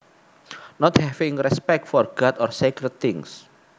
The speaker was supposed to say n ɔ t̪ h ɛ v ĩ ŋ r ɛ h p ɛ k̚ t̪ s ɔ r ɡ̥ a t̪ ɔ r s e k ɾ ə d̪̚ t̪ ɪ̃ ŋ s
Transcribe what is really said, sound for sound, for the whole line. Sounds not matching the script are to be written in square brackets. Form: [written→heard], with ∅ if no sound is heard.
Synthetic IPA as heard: n ɔ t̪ h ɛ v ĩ ŋ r ɛ [h→s] p ɛ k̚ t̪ [s→f] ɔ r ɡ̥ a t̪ ɔ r s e k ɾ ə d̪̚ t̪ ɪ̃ ŋ s